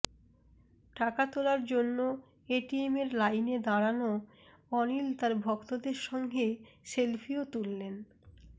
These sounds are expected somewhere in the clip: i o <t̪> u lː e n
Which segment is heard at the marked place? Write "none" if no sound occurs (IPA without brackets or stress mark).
t̪